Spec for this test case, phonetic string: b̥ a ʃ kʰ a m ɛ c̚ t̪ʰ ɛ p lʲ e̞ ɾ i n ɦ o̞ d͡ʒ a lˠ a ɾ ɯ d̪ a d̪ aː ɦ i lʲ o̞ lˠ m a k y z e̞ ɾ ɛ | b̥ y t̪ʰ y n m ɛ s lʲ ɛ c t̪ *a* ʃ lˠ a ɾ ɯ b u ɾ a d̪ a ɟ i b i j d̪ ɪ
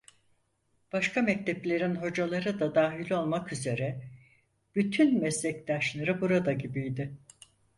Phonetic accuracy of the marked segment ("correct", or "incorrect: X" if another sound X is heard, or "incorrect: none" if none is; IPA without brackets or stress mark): correct